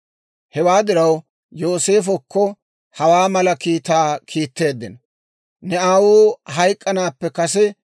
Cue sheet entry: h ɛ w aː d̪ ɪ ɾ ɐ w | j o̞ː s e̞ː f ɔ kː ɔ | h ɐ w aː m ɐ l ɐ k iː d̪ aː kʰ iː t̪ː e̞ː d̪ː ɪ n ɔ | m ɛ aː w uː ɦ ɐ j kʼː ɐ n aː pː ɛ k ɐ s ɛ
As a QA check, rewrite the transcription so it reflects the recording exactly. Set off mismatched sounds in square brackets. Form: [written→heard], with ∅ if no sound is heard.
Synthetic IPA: h ɛ w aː d̪ ɪ ɾ ɐ w | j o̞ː s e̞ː f ɔ kː ɔ | h ɐ w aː m ɐ l ɐ k iː [d̪→t̪] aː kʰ iː t̪ː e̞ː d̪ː ɪ n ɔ | [m→n] ɛ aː w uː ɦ ɐ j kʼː ɐ n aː pː ɛ k ɐ s ɛ